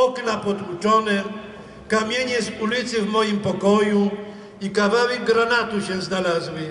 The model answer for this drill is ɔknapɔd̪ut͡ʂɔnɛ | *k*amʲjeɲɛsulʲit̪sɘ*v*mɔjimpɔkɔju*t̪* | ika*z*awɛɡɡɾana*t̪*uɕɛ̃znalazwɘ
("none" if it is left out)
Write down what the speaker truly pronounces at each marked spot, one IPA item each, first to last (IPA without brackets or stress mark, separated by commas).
k, v, none, v, t̪